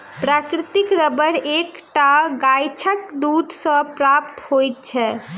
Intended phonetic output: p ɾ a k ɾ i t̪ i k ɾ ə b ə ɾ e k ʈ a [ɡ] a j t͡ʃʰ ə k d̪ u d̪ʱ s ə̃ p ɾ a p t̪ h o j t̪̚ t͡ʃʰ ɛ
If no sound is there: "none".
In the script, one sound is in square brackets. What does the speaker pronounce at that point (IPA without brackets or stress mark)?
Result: ɡ